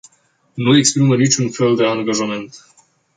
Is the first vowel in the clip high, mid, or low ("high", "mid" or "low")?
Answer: high